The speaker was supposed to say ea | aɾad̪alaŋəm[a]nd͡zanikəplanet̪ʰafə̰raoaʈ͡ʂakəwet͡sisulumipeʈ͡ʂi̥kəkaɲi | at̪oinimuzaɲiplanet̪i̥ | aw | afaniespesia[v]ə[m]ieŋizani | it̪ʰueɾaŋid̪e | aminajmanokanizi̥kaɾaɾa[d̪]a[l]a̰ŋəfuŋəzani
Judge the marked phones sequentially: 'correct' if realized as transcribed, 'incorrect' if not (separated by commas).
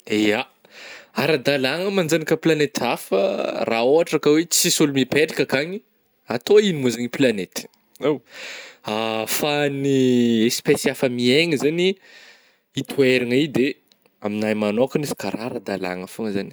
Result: correct, incorrect, correct, correct, correct